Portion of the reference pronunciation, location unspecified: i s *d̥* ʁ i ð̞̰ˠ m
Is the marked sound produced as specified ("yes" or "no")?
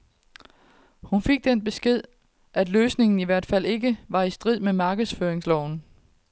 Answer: yes